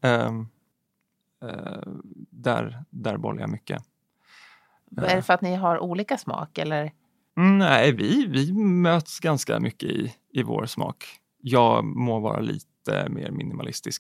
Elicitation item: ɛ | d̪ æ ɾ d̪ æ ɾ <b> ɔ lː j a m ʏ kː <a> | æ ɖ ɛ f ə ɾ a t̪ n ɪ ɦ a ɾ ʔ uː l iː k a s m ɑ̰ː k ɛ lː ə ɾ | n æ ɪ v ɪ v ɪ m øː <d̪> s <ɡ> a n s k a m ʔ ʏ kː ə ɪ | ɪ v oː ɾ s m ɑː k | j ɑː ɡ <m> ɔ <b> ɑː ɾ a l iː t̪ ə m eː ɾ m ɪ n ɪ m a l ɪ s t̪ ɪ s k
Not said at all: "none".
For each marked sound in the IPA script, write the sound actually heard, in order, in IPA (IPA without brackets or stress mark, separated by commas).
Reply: b, ə, t̪, ɡ, m, v